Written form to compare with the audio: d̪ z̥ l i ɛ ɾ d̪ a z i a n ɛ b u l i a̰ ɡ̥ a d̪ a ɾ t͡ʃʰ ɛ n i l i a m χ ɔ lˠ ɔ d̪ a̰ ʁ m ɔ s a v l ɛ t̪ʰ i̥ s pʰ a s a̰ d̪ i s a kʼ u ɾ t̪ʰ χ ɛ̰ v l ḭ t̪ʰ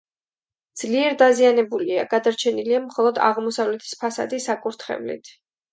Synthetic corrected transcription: d̪ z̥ l i ɛ ɾ d̪ a z i a n ɛ b u l i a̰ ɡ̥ a d̪ a ɾ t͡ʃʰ ɛ n i l i a m χ ɔ lˠ ɔ d̪ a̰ ʁ m ɔ s a v l ɛ t̪ʰ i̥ s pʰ a s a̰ d̪ i s a kʼ u ɾ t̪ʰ χ ɛ̰ v l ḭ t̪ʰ